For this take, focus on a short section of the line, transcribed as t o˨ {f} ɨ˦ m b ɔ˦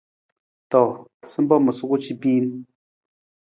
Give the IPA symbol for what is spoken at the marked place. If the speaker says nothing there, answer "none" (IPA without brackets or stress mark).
s